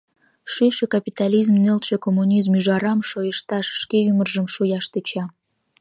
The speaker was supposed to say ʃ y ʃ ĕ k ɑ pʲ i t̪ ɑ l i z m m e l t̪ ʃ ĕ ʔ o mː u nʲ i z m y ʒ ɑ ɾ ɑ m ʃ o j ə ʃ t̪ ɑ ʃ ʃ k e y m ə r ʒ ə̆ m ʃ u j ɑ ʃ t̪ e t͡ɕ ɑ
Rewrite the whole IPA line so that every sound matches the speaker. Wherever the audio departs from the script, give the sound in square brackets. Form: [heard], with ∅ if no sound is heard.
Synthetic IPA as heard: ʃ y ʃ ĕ k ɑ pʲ i t̪ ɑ l i z m [n] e l t̪ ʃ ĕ [k] o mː u nʲ i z m y ʒ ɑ ɾ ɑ m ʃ o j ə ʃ t̪ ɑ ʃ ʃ k e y m ə r ʒ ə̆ m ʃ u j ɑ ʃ t̪ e t͡ɕ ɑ